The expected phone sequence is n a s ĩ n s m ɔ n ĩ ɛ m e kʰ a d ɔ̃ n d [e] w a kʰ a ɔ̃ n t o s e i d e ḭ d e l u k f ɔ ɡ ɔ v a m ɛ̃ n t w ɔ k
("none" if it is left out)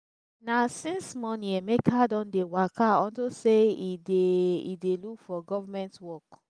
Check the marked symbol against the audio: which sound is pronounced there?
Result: e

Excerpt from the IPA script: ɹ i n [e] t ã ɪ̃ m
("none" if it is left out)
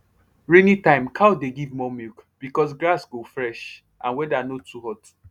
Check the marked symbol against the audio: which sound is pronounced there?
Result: i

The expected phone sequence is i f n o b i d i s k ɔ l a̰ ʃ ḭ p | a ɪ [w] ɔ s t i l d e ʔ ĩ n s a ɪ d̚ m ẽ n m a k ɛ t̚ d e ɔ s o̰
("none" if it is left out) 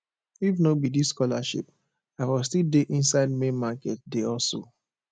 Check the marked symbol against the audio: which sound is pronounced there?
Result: w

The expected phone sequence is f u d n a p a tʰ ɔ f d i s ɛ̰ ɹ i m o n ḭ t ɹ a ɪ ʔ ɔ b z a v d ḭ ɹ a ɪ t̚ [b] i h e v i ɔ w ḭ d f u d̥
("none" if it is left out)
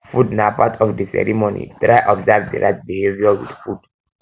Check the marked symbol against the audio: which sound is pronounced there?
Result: b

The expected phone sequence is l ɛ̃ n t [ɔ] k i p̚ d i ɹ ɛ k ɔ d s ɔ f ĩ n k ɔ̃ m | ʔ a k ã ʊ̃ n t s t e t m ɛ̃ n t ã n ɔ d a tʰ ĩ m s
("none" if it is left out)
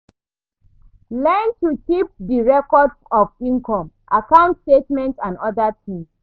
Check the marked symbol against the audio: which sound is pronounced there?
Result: u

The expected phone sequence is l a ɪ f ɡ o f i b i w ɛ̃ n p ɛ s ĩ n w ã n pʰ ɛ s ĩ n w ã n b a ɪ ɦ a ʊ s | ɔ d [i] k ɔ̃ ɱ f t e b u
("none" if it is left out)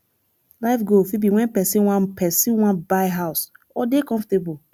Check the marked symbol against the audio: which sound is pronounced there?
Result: e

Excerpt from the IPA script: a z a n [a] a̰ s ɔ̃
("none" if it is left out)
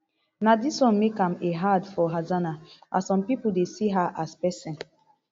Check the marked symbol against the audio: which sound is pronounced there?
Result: a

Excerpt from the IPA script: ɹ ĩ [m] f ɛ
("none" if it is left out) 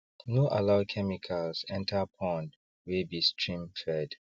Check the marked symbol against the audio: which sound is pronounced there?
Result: m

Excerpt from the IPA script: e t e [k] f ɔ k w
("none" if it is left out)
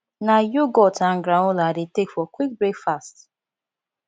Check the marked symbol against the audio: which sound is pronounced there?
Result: k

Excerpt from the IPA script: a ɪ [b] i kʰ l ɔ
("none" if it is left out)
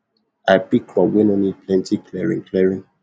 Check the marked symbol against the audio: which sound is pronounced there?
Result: p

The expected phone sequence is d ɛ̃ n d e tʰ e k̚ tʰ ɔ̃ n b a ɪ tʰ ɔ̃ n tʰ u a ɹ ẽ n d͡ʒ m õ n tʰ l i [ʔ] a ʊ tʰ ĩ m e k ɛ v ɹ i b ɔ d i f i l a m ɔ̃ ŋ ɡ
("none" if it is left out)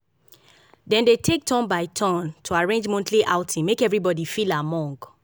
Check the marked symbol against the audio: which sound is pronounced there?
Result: ʔ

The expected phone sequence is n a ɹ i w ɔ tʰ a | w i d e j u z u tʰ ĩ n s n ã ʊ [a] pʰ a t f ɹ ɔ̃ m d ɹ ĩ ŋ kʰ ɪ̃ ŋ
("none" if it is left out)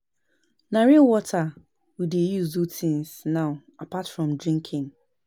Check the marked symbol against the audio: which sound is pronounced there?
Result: a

